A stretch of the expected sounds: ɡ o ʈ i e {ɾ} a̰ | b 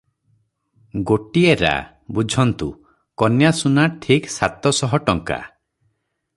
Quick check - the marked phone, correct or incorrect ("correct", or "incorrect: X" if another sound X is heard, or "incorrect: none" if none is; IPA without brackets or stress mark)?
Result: correct